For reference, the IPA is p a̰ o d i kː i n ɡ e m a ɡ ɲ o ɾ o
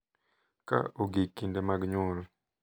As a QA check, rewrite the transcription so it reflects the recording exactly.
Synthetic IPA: k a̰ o ɡ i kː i n d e m a ɡ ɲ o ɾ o